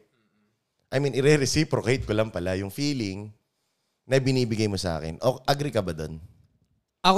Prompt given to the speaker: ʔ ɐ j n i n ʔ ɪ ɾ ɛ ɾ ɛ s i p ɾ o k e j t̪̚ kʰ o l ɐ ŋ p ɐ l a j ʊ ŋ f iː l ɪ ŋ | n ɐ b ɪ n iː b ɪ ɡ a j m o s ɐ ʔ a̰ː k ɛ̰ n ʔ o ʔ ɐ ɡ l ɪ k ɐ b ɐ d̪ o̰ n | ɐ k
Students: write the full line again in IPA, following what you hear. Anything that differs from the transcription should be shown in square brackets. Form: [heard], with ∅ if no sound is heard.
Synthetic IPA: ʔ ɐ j [m] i n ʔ ɪ ɾ ɛ ɾ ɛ s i p ɾ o k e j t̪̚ [k] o l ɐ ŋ p ɐ l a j ʊ ŋ f iː l ɪ ŋ | n ɐ b ɪ n iː b ɪ ɡ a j m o s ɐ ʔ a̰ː k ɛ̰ n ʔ o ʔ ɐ ɡ [ɾ] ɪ k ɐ b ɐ d̪ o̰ n | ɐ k